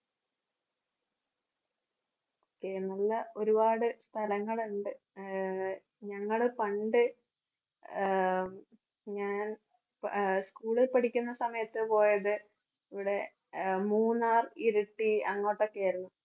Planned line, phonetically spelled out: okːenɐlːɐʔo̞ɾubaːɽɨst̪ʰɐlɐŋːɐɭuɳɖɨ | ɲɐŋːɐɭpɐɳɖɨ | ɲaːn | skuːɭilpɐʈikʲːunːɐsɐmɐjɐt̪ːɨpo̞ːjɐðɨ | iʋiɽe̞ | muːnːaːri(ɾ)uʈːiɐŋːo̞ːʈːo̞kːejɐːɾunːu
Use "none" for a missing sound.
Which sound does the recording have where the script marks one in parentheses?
ɾ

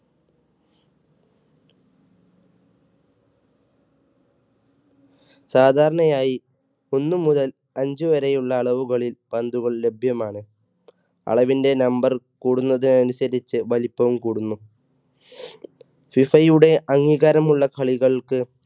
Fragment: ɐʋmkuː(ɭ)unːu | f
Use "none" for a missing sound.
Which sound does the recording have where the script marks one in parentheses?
ɽ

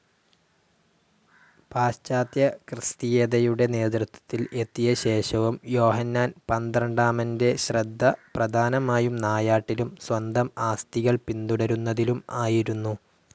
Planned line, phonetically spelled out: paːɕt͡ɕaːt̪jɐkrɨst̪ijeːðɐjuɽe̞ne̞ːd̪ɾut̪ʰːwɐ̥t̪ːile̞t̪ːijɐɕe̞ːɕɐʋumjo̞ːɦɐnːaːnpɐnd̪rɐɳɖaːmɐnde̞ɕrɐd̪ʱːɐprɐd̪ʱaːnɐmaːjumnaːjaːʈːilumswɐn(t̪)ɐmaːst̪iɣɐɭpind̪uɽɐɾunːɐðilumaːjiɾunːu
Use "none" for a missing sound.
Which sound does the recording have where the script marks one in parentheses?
d̪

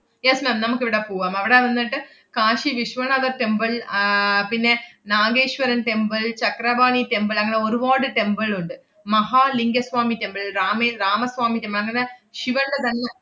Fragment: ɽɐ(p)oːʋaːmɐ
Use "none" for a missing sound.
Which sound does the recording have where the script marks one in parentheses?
p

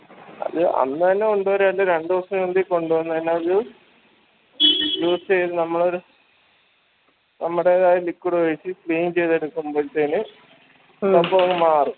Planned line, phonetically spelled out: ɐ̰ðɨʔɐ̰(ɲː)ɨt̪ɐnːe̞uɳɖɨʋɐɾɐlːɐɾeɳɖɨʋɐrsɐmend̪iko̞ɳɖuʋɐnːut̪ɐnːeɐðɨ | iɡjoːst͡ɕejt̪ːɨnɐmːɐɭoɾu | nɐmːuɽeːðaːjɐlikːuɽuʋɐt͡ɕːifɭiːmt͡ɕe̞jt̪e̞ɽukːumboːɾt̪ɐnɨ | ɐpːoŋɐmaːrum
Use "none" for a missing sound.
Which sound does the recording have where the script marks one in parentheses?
nː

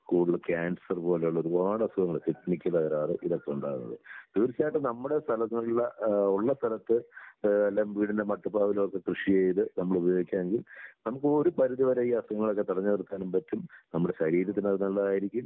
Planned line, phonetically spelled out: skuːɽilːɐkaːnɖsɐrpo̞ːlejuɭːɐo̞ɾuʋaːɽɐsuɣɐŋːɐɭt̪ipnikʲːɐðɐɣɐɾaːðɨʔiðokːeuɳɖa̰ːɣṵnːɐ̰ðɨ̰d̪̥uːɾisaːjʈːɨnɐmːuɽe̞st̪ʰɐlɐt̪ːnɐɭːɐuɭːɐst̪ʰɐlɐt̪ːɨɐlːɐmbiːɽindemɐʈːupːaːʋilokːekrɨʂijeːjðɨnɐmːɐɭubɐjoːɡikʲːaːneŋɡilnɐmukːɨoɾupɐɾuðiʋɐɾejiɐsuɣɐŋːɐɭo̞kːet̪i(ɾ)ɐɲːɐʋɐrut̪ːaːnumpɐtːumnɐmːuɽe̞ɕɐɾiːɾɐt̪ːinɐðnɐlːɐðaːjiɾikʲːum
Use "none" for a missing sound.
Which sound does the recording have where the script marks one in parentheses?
ɽ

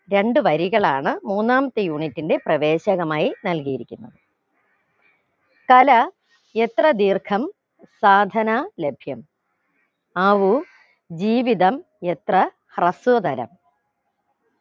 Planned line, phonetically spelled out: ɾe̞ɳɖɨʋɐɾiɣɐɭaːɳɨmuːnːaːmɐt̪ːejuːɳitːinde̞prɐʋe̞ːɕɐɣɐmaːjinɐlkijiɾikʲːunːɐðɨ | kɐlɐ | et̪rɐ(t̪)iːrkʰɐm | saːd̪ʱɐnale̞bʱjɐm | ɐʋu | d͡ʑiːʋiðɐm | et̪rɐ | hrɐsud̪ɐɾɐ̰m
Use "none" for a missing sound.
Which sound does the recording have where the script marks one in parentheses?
d̪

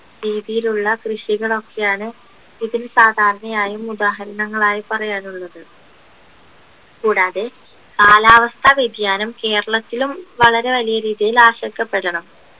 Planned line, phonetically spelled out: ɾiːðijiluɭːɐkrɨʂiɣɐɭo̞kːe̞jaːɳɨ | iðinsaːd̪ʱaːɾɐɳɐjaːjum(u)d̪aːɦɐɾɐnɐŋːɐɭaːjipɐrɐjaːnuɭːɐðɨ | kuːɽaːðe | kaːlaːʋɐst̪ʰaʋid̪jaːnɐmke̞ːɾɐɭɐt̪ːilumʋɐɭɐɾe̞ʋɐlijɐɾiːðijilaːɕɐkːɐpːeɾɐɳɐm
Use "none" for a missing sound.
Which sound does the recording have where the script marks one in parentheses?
u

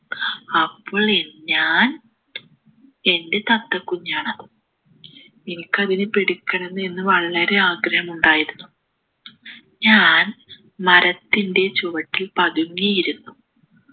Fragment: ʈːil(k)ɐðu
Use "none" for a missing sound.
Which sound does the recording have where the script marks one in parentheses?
p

